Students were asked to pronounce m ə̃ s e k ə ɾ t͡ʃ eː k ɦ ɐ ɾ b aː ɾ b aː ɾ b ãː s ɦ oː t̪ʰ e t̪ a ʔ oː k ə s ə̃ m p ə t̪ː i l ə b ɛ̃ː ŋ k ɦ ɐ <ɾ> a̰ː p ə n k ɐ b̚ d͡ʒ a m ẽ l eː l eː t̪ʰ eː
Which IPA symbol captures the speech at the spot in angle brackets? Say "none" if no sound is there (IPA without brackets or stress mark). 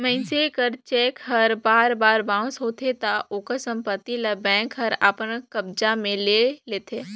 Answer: ɾ